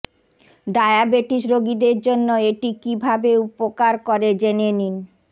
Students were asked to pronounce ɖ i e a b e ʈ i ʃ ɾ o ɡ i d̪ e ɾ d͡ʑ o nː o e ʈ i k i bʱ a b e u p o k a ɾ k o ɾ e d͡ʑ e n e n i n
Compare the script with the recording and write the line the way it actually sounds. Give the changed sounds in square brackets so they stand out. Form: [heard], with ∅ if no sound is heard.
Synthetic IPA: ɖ [a] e a b e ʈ i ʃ ɾ o ɡ i d̪ e ɾ d͡ʑ o nː o e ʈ i k i bʱ a b e u p o k a ɾ k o ɾ e d͡ʑ e n e n i n